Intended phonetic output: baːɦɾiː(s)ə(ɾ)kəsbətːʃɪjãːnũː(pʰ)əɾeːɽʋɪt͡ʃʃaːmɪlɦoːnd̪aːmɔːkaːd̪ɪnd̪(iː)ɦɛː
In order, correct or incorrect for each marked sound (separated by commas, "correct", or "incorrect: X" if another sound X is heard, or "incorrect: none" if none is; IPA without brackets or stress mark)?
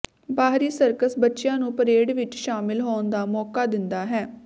correct, correct, incorrect: p, incorrect: aː